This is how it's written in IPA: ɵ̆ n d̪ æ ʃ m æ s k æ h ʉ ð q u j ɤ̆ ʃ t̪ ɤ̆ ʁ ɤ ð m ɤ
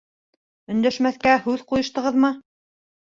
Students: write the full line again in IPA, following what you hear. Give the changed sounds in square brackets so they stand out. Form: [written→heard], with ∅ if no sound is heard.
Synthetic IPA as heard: ɵ̆ n d̪ æ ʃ m æ [s→θ] k æ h ʉ ð q u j ɤ̆ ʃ t̪ ɤ̆ ʁ ɤ ð m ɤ